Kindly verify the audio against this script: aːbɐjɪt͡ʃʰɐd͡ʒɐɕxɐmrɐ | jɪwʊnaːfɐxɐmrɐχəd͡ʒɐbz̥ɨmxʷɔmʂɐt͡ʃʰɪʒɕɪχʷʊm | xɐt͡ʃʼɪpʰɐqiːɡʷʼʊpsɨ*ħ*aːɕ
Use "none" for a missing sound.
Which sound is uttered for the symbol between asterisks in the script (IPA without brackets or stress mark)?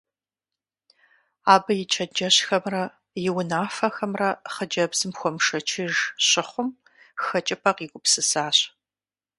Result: s